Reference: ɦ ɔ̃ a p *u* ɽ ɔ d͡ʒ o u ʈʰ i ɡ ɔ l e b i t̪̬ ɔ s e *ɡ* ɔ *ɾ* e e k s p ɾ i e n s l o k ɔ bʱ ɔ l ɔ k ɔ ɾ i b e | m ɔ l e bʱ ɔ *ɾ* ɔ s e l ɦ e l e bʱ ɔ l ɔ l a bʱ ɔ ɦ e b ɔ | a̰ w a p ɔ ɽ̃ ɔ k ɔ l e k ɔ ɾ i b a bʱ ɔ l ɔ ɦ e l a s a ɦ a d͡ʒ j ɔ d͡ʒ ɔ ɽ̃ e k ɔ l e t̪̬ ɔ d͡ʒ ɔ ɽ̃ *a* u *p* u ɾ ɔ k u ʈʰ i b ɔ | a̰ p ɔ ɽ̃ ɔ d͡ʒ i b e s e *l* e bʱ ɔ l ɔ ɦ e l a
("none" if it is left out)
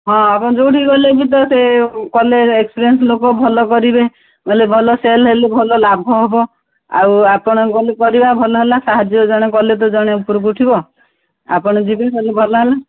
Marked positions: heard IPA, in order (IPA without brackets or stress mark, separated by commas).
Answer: ɔ, k, l, l, e, p, l